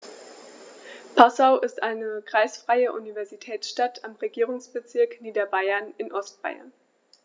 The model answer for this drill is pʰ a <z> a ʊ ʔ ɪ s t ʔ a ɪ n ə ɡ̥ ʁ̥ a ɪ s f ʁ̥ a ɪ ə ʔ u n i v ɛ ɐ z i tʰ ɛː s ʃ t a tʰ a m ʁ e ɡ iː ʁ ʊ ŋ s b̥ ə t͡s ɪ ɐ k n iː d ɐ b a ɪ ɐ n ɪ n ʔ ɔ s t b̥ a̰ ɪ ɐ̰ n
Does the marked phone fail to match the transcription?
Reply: yes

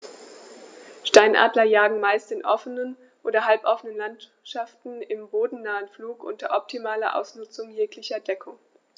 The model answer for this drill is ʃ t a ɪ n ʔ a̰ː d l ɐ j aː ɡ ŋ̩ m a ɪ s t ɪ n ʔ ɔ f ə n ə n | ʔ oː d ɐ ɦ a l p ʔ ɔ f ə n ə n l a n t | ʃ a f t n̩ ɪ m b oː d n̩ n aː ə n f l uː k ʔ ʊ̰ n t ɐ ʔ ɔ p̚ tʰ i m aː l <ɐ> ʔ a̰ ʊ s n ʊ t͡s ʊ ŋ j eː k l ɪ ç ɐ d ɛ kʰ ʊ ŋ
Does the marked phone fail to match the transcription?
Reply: no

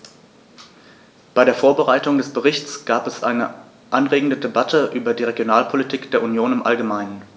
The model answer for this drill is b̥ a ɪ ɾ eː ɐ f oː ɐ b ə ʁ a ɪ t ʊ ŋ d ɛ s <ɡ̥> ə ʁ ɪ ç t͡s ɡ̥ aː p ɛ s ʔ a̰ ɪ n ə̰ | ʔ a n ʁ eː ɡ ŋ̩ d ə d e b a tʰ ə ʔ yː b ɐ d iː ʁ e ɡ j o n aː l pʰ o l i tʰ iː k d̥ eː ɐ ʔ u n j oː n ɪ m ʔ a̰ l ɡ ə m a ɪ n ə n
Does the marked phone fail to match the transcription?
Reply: yes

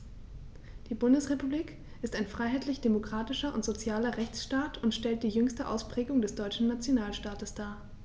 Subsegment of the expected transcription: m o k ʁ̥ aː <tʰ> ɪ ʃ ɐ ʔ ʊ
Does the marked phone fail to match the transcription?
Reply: yes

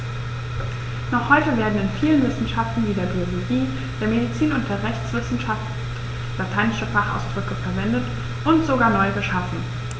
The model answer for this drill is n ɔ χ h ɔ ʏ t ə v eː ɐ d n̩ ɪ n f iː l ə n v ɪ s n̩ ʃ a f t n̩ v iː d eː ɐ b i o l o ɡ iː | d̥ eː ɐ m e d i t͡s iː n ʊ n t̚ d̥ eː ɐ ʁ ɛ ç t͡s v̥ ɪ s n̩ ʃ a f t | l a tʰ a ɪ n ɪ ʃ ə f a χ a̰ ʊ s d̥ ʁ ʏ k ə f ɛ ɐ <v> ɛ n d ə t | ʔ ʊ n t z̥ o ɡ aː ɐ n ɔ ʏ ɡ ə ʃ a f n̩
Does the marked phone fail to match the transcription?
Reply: no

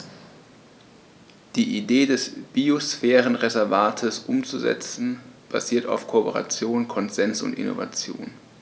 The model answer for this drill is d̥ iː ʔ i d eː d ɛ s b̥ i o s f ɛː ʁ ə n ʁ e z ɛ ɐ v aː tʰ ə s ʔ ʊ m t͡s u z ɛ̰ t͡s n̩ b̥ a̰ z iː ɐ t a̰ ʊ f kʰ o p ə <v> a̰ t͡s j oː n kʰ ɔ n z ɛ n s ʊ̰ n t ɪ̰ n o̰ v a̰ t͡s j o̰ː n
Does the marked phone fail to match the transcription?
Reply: yes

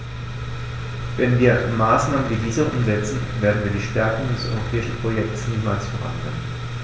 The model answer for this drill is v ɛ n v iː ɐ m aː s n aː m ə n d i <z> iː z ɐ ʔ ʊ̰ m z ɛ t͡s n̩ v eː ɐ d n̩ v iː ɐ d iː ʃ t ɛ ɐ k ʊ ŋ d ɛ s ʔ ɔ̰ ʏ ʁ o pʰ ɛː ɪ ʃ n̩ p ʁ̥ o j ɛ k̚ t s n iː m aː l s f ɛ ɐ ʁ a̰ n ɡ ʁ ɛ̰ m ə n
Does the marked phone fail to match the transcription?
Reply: yes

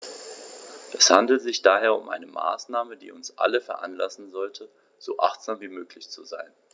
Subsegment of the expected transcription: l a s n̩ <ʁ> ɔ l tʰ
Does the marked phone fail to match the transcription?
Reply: yes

